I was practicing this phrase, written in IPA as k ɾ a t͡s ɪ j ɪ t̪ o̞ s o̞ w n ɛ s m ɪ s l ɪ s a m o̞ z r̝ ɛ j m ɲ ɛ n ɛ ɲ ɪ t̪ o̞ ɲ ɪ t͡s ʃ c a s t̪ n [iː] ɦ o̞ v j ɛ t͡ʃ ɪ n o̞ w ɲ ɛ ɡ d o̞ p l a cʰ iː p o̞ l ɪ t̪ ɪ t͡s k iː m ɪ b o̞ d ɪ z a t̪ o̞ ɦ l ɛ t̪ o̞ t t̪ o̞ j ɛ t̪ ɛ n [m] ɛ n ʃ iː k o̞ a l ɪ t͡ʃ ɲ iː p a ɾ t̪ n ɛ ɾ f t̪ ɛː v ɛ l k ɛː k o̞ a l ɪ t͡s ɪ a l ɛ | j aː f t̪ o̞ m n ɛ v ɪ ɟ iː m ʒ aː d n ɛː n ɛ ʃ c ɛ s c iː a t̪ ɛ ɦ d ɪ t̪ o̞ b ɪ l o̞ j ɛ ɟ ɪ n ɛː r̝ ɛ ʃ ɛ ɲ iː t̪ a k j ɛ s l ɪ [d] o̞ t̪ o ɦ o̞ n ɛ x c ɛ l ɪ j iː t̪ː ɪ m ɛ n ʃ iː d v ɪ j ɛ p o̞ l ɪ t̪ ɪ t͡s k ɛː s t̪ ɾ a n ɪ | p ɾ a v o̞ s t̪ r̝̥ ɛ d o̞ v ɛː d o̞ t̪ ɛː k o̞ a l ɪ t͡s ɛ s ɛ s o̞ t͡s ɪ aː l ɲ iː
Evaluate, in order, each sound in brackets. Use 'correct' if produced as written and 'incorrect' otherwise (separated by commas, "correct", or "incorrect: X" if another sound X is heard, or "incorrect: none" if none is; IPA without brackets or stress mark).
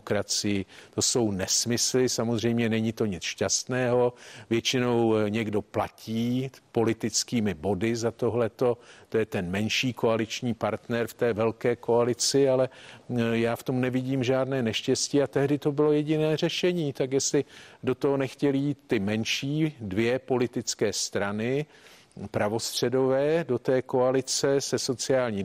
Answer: incorrect: ɛː, correct, correct